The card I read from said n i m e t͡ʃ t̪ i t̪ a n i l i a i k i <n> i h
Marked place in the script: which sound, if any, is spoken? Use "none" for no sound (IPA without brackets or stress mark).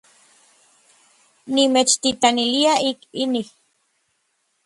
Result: n